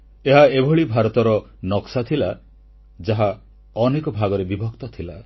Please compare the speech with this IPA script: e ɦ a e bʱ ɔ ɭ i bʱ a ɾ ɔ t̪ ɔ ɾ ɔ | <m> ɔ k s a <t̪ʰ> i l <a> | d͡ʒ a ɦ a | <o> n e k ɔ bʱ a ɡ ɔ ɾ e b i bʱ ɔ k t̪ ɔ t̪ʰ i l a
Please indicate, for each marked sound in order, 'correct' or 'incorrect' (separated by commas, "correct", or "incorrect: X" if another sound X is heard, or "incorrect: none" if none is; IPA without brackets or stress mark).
incorrect: n, correct, correct, incorrect: ɔ